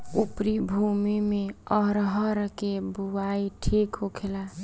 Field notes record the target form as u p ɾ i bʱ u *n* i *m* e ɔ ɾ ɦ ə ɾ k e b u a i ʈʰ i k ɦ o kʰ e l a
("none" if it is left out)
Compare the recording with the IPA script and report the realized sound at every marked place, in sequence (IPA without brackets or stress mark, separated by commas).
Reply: m, m